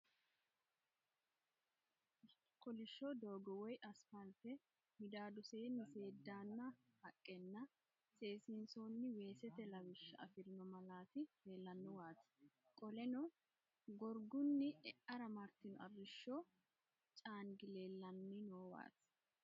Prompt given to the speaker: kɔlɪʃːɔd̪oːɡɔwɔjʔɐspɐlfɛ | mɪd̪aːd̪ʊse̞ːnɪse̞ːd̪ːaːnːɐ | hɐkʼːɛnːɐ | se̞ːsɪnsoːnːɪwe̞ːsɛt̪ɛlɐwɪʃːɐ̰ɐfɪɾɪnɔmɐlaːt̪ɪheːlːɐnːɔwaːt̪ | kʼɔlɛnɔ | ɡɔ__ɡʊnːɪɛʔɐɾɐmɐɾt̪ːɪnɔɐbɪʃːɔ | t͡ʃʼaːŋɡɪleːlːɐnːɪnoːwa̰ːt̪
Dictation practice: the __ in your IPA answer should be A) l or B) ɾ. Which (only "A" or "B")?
B